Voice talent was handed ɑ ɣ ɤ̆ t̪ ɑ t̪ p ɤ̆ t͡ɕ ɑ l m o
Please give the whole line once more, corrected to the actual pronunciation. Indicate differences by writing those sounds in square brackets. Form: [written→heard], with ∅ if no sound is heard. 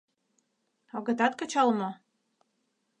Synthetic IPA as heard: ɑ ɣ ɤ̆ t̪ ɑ t̪ [p→k] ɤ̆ t͡ɕ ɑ l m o